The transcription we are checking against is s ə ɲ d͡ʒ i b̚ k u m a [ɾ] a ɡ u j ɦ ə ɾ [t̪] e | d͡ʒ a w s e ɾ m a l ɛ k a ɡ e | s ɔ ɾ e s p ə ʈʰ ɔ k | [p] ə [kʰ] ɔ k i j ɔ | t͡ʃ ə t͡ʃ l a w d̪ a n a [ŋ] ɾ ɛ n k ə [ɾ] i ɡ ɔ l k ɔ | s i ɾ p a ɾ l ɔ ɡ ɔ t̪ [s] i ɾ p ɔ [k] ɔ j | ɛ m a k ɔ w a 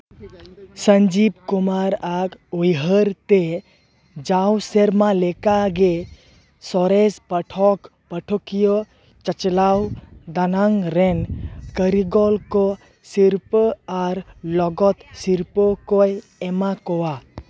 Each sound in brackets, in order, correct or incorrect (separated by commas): correct, correct, correct, incorrect, correct, correct, correct, correct